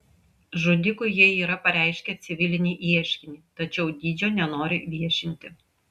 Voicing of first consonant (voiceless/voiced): voiced